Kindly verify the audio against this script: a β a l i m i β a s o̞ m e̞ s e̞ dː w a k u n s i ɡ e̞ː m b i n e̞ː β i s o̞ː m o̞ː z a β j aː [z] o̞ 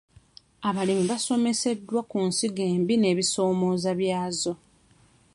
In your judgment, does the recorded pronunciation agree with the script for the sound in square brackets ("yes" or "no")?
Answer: yes